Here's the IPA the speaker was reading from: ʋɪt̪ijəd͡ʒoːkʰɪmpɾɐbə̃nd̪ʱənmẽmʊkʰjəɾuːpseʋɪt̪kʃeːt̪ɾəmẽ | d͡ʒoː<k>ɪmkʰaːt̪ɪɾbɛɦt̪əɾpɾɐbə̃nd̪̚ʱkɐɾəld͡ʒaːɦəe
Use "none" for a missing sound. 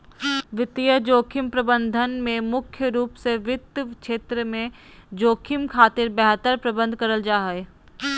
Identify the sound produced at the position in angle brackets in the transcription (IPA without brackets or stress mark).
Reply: kʰ